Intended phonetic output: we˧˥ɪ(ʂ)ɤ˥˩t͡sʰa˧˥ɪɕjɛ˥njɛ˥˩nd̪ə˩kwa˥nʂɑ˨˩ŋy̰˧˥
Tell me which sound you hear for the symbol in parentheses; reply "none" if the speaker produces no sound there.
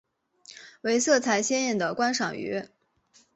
s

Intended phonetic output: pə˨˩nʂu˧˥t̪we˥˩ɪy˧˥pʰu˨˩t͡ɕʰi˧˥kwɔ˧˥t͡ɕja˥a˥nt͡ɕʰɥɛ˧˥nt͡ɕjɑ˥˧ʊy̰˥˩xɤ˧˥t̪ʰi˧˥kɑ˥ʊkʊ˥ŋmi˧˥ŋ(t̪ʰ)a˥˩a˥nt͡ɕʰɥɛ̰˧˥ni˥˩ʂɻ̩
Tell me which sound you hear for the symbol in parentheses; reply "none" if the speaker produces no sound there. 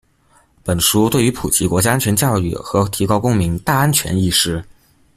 t̪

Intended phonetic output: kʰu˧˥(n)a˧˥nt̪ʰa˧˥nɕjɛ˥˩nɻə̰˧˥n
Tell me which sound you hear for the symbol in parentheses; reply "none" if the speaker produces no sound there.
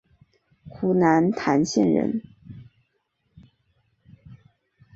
n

